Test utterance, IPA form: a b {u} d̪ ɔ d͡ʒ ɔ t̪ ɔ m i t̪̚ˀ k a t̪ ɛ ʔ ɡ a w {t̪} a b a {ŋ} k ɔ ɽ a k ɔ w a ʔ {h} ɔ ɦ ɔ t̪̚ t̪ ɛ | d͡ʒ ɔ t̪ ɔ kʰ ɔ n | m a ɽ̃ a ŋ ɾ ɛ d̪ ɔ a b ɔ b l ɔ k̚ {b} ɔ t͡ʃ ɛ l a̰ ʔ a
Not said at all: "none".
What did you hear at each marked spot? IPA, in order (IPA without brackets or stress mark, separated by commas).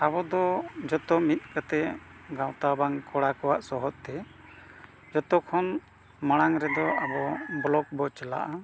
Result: ɔ, t̪, ŋ, s, b